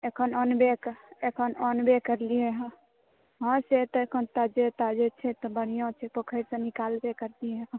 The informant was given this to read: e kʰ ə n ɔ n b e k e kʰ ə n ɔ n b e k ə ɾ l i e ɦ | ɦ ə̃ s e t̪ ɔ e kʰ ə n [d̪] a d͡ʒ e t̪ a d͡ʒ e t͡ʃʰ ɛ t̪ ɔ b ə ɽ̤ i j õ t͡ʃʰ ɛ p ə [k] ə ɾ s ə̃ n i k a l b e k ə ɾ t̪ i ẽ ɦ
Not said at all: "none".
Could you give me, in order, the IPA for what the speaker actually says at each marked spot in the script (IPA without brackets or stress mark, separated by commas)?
t̪, kʰ